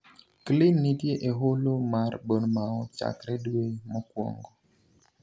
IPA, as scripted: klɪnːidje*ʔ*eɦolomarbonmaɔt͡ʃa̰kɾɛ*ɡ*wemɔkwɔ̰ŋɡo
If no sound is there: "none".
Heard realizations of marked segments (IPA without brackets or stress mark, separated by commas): ʔ, d